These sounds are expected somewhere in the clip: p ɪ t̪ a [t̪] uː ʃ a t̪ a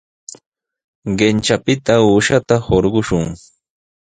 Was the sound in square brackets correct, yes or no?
no